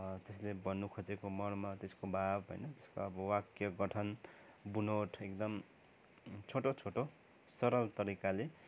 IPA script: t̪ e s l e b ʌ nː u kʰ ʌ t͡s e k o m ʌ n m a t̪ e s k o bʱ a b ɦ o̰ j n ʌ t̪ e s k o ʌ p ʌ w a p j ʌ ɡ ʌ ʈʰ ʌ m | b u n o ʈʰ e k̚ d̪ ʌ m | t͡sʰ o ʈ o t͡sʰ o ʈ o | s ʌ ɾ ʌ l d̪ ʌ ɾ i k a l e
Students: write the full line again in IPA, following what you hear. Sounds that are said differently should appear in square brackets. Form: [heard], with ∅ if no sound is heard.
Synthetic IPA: t̪ e s l e b ʌ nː u kʰ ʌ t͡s e k o m ʌ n m a t̪ e s k o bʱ a b ɦ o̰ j n ʌ t̪ e s k o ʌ [b] ʌ w a [k] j ʌ ɡ ʌ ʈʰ ʌ [n] | b u n o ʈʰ e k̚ d̪ ʌ m | t͡sʰ o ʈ o t͡sʰ o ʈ o | s ʌ ɾ ʌ l [t̪] ʌ ɾ i k a l e